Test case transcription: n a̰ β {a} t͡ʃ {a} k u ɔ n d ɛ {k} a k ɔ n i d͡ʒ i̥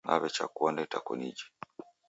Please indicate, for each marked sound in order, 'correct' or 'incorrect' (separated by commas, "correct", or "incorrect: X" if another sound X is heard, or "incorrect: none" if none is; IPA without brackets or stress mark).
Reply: incorrect: ɛ, correct, incorrect: t